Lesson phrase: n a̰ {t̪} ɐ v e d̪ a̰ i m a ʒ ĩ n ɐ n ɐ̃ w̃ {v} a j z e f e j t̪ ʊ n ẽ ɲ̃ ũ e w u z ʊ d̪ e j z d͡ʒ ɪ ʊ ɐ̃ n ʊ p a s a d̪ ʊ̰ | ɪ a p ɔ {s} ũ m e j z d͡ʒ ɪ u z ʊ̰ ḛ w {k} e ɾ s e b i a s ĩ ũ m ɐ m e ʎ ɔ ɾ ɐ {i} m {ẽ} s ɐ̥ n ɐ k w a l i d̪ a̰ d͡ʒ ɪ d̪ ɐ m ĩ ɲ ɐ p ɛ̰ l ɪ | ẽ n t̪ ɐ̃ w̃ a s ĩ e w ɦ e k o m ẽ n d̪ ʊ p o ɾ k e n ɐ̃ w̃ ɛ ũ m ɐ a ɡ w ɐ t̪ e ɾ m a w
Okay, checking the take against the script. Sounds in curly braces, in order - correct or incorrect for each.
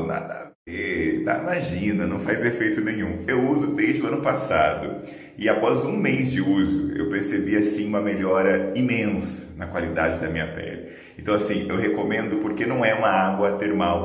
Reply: incorrect: d̪, incorrect: f, incorrect: z, incorrect: p, correct, correct

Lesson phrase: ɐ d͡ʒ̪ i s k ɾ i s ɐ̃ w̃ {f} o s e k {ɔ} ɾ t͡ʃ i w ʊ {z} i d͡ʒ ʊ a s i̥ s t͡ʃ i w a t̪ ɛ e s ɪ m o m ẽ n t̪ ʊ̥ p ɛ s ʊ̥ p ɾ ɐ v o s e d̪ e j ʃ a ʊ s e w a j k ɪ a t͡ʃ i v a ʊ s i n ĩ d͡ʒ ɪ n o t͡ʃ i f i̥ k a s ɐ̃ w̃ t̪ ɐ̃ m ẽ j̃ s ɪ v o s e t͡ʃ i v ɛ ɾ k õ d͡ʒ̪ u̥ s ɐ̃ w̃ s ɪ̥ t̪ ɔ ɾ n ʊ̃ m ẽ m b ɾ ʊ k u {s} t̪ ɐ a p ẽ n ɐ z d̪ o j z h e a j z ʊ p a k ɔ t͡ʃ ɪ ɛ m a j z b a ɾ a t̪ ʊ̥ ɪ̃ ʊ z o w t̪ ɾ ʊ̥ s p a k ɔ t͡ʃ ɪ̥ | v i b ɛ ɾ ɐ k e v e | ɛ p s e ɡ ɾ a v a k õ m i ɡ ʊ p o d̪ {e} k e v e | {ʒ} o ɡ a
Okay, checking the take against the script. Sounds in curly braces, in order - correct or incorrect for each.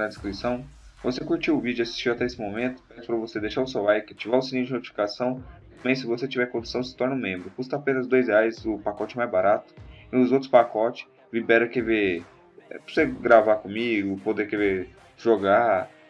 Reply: incorrect: v, incorrect: u, incorrect: v, correct, correct, correct

